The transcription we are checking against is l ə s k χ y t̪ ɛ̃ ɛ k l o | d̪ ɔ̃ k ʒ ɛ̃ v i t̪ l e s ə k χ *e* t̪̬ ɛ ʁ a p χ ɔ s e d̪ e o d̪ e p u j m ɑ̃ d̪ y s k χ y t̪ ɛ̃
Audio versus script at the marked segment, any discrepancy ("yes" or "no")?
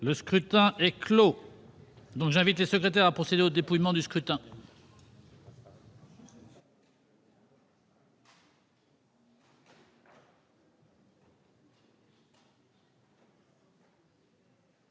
no